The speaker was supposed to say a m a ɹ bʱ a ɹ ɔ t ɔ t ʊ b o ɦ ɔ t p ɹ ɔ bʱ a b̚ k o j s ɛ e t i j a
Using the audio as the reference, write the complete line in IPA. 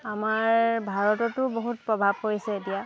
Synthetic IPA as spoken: a m a ɹ bʱ a ɹ ɔ t ɔ t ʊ b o ɦ u t p ɹ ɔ bʱ a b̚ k o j s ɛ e t i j a